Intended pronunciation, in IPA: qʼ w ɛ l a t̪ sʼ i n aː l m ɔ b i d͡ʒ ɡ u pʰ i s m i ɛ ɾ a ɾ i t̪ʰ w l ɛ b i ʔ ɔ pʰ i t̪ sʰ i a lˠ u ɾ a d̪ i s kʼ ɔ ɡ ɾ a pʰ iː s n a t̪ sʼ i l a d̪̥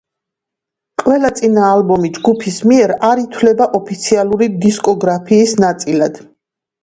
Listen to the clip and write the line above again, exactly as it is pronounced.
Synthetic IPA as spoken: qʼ w ɛ l a t̪ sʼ i n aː l b ɔ m i d͡ʒ ɡ u pʰ i s m i ɛ ɾ a ɾ i t̪ʰ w l ɛ b a ʔ ɔ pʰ i t̪ sʰ i a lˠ u ɾ i d̪ i s kʼ ɔ ɡ ɾ a pʰ iː s n a t̪ sʼ i l a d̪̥